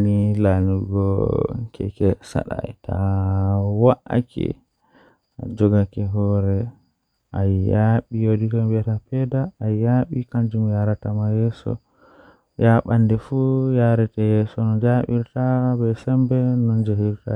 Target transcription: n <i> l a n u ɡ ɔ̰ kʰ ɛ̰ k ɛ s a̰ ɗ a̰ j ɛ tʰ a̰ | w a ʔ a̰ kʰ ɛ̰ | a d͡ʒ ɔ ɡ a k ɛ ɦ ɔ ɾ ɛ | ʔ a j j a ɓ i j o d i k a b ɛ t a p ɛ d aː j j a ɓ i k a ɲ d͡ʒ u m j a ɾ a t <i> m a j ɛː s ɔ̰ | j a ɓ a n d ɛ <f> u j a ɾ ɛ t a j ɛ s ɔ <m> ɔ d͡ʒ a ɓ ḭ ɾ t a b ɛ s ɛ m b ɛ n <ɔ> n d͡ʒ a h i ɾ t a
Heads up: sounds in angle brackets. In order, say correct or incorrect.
correct, incorrect, correct, incorrect, correct

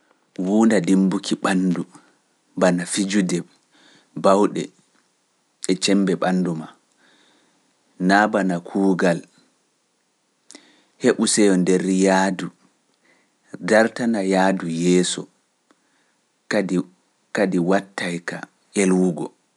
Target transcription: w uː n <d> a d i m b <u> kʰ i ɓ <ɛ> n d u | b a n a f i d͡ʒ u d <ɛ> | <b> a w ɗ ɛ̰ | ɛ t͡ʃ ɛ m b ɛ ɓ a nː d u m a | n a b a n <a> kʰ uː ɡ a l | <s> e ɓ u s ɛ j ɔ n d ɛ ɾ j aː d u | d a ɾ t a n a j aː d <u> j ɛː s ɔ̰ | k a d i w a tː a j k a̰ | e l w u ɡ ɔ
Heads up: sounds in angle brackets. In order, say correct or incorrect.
correct, correct, incorrect, correct, correct, correct, incorrect, correct

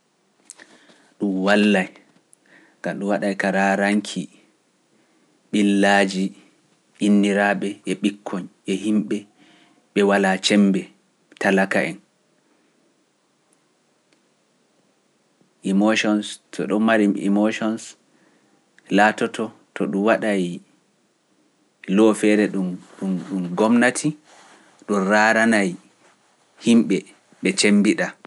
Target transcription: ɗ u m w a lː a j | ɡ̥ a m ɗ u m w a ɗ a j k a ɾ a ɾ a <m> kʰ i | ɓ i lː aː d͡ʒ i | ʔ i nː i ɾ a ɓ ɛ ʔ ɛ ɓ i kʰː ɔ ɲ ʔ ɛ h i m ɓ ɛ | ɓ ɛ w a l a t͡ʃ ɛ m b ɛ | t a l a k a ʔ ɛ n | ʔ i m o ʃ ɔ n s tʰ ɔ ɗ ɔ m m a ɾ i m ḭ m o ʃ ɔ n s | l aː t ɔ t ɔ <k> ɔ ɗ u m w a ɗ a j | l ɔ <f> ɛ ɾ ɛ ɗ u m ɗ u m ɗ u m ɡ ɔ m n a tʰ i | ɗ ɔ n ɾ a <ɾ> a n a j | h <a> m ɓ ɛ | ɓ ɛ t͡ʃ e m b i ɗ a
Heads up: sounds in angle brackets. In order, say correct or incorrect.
incorrect, incorrect, correct, correct, incorrect

